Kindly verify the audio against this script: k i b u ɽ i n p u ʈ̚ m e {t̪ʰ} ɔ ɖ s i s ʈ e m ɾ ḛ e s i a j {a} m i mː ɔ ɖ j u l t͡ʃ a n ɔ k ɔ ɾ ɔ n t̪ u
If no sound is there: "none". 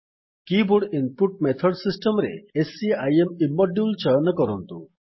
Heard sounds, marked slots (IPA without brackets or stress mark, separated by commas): t̪ʰ, e